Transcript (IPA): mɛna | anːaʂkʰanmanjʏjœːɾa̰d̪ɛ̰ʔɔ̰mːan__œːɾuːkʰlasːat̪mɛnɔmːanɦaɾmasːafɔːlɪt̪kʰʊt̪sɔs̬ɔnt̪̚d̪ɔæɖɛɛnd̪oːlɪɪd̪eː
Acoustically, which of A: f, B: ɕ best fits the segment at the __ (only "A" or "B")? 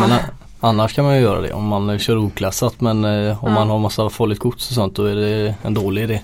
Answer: B